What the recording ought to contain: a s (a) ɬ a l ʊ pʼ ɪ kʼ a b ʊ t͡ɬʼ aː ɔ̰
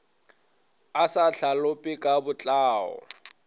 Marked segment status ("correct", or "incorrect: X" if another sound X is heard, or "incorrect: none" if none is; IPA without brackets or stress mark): correct